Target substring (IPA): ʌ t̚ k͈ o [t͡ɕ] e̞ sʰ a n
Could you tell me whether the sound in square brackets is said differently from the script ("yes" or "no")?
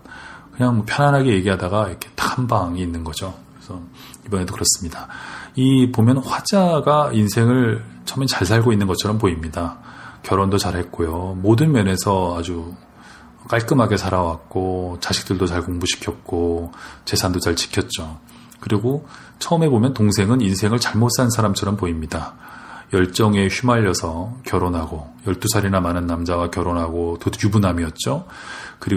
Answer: no